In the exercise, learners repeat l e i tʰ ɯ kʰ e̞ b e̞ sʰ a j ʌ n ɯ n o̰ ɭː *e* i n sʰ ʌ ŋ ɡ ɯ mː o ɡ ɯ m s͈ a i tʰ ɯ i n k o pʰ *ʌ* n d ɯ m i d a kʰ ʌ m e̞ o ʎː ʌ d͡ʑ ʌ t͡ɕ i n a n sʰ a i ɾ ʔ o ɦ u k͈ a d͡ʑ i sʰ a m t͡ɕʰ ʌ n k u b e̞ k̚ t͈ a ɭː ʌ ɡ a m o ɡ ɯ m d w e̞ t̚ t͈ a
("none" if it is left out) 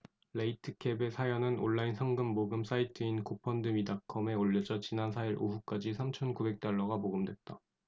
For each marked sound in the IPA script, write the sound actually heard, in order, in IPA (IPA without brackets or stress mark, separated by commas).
a, ʌ